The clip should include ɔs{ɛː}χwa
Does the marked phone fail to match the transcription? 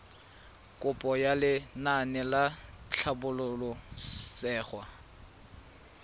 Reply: no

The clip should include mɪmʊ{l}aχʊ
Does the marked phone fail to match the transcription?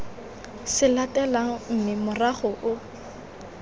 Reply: yes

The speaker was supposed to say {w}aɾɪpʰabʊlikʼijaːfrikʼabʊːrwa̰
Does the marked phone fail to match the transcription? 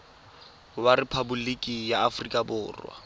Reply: no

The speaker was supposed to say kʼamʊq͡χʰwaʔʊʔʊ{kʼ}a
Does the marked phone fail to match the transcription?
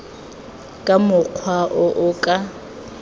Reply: no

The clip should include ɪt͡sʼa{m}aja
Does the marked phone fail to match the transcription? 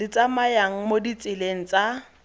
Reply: no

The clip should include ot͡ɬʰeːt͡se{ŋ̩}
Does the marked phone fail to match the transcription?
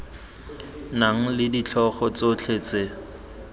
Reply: yes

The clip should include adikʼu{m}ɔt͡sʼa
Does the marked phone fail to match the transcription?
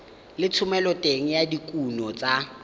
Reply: yes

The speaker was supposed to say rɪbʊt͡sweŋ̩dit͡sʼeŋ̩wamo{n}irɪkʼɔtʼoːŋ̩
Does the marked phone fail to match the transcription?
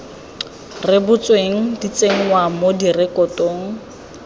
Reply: yes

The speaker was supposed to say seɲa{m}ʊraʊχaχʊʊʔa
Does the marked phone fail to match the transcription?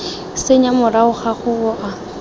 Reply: no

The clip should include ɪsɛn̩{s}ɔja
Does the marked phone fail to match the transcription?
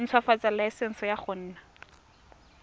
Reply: no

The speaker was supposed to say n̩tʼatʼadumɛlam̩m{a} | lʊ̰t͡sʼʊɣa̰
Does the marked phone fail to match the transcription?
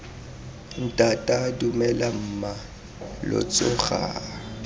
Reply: no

